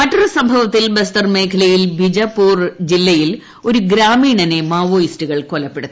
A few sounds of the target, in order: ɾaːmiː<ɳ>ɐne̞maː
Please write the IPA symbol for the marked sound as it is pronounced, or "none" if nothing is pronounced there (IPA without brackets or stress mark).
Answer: ɳ